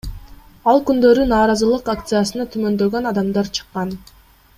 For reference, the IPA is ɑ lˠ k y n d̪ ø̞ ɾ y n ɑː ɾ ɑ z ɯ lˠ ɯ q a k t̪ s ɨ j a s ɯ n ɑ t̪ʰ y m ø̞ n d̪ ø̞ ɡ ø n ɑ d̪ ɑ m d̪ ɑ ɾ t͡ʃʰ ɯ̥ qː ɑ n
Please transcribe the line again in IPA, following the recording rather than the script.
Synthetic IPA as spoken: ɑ lˠ k y n d̪ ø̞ ɾ y n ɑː ɾ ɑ z ɯ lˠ ɯ q a k t̪ s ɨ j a s ɯ n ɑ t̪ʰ y m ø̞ n d̪ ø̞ ɡ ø n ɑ d̪ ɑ m d̪ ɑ ɾ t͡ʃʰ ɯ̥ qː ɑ n

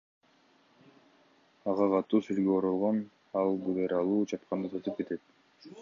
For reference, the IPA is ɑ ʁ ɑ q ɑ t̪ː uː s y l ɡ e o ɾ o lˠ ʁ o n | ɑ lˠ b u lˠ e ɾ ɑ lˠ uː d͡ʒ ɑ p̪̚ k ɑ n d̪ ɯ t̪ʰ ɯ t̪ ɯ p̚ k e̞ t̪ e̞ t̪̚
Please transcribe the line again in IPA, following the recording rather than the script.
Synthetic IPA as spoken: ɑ ʁ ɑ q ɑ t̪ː uː s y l ɡ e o ɾ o lˠ ʁ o n | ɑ lˠ b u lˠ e ɾ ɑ lˠ uː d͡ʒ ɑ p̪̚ q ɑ n d̪ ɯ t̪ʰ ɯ t̪ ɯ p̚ k e̞ t̪ e̞ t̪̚

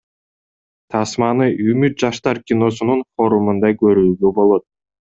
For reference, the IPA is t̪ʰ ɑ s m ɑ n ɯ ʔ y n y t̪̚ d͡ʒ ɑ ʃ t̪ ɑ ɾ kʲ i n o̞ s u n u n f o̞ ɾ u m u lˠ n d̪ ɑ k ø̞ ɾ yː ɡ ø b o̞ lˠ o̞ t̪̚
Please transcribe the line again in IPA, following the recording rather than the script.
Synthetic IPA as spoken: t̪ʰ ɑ s m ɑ n ɯ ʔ y m y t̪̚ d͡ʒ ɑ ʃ t̪ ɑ ɾ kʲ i n o̞ s u n u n f o̞ ɾ u m u n d̪ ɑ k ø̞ ɾ yː ɡ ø b o̞ lˠ o̞ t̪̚

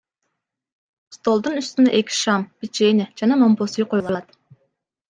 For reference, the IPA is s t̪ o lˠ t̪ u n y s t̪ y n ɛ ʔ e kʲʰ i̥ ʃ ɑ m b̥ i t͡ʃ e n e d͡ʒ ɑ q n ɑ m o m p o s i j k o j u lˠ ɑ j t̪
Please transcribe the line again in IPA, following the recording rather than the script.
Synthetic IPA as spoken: s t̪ o lˠ d̪ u n y s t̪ y n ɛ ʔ e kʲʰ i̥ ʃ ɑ m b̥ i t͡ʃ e n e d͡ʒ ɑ n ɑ m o m p o s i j q o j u lˠ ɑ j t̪

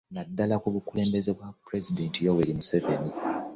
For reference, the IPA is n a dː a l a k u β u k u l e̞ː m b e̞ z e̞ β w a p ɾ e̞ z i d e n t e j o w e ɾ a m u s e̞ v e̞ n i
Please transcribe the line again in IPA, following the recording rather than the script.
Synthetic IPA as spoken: n a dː a l a k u β u k u l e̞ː m b e̞ z e̞ β w a p ɾ e̞ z i d e n t i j o w e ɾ i m u s e̞ v e̞ n i

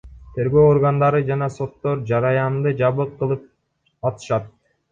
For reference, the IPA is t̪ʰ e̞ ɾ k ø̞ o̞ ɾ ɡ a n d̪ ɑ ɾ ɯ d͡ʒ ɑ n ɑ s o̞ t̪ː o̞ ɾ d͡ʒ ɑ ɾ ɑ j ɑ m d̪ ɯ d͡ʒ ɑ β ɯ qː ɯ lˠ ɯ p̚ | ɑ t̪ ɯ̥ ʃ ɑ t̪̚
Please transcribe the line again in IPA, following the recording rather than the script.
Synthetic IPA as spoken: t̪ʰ e̞ ɾ ɡ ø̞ o̞ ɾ ɡ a n d̪ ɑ ɾ ɯ d͡ʒ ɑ n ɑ s o̞ t̪ː o̞ ɾ d͡ʒ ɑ ɾ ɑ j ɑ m d̪ ɯ d͡ʒ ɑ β ɯ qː ɯ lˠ ɯ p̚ | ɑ t̪ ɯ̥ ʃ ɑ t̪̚

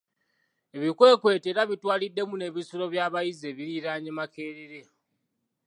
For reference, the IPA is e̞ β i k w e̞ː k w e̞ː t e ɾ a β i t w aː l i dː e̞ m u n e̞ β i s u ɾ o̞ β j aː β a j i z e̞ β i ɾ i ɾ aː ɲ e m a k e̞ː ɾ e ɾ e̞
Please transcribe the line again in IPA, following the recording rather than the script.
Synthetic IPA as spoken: e̞ β i k w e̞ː k w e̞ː t e ɾ a β i t w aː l i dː e̞ m u n e̞ β i s u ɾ o̞ β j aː β a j i z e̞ β i ɾ i ɾ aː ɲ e m a k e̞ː ɾ e ɾ e̞

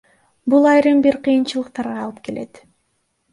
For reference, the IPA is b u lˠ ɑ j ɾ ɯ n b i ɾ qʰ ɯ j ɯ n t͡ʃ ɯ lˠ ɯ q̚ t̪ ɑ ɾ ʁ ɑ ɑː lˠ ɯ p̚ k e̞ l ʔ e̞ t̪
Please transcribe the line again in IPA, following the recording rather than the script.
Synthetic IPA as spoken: b u lˠ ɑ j ɾ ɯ m b i ɾ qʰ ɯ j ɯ n t͡ʃ ɯ lˠ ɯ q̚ t̪ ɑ ɾ ʁ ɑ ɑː lˠ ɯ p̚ k e̞ l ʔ e̞ t̪

